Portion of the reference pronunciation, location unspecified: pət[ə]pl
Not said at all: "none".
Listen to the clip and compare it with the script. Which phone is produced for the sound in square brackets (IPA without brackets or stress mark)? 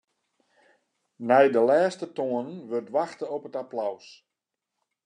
a